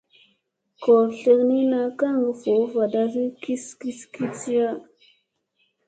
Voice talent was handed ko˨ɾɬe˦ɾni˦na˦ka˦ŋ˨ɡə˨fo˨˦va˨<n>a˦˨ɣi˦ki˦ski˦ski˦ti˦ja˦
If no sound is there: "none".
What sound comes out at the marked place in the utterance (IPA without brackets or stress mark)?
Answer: d